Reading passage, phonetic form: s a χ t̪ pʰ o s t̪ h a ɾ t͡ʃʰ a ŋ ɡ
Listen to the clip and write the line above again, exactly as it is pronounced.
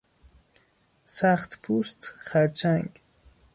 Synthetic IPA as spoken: s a χ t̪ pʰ u s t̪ χ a ɾ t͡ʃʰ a ŋ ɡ